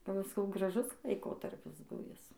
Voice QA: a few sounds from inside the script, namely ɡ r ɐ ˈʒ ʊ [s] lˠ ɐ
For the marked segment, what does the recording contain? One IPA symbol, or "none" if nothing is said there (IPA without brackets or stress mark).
s